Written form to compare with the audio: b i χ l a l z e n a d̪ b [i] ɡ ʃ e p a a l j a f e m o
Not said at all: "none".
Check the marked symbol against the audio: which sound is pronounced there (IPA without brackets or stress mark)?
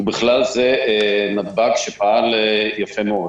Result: a